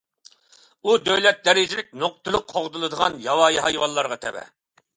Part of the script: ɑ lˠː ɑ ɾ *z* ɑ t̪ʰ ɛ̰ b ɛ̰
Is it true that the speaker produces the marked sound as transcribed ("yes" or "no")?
no